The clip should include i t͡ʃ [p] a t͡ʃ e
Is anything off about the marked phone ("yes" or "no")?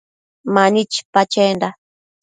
no